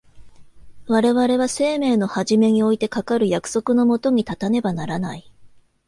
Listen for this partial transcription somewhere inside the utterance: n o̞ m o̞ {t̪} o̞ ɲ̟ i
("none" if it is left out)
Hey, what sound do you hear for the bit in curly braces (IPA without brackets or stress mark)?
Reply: t̪